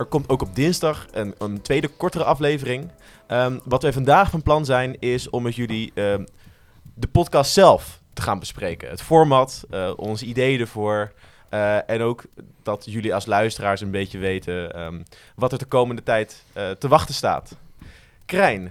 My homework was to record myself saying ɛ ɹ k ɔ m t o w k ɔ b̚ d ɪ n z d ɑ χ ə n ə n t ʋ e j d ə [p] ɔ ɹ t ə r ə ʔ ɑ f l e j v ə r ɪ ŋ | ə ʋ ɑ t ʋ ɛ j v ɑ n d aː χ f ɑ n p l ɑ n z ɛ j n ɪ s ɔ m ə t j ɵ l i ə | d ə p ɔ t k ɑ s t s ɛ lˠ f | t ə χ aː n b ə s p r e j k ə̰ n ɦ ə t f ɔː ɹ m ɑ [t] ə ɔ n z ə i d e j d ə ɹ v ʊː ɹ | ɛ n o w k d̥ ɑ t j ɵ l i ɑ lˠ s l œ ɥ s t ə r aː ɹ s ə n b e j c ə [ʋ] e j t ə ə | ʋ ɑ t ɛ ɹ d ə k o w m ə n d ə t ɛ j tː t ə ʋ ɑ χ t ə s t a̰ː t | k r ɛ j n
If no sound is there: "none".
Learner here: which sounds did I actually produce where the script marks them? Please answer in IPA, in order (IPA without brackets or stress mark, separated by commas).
k, t, ʋ